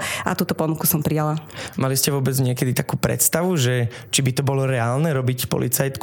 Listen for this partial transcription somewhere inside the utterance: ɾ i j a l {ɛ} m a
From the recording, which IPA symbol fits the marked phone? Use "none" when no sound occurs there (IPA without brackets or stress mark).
a